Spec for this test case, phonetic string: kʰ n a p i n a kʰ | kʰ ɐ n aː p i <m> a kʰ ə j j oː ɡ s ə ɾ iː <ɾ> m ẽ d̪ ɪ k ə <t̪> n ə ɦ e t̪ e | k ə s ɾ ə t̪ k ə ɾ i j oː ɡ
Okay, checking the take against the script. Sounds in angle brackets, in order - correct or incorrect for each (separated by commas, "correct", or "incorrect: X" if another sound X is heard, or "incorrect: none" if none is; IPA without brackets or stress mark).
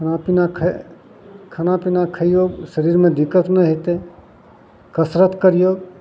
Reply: incorrect: n, correct, correct